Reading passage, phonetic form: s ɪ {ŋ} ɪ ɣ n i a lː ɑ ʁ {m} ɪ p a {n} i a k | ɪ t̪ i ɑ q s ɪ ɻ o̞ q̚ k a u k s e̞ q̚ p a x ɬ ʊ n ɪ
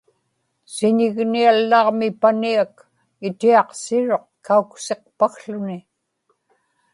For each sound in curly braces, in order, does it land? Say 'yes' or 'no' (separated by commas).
no, yes, yes